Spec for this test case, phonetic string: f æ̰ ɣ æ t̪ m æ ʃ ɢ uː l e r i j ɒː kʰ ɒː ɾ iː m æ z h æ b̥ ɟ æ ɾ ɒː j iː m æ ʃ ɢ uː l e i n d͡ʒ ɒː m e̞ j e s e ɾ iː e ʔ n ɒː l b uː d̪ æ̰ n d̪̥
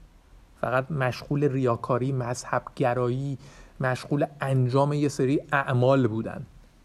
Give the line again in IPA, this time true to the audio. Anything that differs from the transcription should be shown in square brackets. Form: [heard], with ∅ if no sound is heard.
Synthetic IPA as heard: f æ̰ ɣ æ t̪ m æ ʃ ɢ uː l e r i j ɒː kʰ ɒː ɾ iː m æ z h æ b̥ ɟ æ ɾ ɒː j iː m æ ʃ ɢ uː l e [æ] n d͡ʒ ɒː m e̞ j e s e ɾ iː [æ] ʔ [m] ɒː l b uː d̪ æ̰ n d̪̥